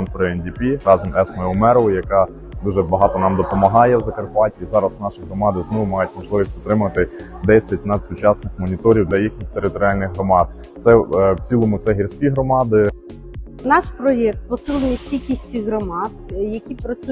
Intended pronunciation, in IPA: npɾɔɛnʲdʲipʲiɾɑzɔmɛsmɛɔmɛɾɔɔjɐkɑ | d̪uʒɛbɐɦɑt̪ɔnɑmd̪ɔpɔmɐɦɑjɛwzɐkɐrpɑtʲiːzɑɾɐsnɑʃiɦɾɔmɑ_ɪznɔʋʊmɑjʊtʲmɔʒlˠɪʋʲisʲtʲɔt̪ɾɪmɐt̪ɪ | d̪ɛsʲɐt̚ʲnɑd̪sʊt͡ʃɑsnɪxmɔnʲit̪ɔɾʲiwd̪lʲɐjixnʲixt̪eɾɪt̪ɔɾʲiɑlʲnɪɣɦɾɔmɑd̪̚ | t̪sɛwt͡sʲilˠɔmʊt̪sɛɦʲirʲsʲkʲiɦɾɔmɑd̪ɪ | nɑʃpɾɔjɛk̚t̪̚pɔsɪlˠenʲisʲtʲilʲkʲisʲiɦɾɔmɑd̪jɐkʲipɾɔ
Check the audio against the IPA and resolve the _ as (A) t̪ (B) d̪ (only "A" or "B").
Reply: B